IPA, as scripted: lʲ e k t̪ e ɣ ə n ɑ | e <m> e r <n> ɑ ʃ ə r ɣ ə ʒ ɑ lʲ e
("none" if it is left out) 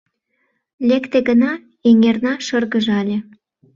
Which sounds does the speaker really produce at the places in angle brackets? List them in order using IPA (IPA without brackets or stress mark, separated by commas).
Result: ŋ, n